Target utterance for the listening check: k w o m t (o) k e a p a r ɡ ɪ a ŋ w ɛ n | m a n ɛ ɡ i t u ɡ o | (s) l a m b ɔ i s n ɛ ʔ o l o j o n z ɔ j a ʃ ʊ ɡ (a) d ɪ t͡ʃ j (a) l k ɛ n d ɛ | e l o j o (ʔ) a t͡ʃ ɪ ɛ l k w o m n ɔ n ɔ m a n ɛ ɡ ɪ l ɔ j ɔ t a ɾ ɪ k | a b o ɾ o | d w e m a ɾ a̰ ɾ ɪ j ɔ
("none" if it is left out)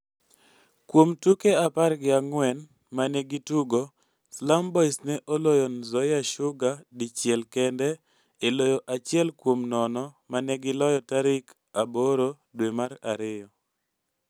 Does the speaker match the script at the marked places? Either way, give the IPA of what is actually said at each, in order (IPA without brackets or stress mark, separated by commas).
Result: u, s, a, ɛ, ʔ